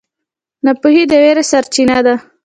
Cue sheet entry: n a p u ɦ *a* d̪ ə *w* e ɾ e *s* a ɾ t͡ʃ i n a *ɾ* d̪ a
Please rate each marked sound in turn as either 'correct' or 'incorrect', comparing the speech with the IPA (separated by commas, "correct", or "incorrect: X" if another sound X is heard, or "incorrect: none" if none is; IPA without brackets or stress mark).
incorrect: i, correct, correct, incorrect: none